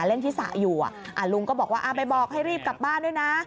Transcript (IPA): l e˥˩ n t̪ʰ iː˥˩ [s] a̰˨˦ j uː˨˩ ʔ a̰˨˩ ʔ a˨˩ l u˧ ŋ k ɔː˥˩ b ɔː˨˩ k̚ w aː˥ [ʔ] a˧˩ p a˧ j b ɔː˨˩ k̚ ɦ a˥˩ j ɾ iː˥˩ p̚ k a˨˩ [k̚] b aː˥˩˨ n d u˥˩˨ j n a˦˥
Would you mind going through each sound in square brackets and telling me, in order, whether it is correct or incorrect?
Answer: correct, correct, incorrect: p̚

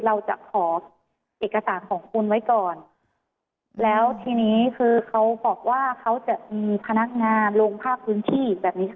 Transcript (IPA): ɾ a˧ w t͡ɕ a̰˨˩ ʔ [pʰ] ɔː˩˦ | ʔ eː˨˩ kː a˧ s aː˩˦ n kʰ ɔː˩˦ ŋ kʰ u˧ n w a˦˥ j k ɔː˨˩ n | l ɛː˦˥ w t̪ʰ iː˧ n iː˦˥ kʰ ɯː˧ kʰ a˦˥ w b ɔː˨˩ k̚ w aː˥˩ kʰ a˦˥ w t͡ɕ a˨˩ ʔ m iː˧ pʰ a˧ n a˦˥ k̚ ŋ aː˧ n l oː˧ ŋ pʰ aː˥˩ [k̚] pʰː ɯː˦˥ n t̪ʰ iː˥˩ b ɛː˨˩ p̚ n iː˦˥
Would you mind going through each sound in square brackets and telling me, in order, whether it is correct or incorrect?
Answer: incorrect: kʰ, correct

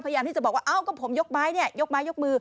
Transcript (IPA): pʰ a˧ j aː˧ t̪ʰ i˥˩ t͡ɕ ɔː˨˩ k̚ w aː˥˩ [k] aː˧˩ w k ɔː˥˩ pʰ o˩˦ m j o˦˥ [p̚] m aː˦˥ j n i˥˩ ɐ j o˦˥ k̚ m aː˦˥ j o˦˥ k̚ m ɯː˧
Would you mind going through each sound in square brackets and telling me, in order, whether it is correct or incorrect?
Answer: incorrect: ʔ, incorrect: k̚

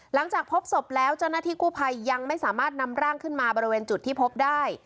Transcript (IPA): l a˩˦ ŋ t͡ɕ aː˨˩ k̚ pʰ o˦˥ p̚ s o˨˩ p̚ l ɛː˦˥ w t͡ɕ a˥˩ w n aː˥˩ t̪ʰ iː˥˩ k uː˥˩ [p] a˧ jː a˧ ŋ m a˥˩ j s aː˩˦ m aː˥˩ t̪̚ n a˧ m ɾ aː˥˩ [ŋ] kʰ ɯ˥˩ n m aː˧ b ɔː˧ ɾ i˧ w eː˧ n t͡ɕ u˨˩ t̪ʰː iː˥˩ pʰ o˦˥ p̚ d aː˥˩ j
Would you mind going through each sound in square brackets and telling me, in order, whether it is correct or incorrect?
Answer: incorrect: pʰ, correct

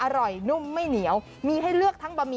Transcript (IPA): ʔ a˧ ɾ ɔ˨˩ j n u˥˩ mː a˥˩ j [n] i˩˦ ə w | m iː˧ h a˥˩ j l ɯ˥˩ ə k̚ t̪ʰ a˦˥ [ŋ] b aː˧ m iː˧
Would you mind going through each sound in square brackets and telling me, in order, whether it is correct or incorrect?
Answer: correct, correct

